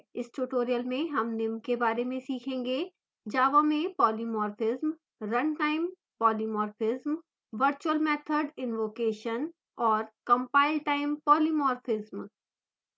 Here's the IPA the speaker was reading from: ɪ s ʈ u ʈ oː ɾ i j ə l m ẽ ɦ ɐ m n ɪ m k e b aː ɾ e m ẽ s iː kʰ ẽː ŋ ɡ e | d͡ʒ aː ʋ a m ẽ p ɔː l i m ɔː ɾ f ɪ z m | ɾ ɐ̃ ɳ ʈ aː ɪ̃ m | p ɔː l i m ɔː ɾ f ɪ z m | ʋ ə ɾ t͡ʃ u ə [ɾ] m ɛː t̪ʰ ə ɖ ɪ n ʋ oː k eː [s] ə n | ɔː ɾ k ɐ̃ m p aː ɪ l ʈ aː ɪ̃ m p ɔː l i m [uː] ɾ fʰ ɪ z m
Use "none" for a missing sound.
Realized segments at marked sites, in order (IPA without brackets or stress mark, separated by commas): l, ʃ, ɔː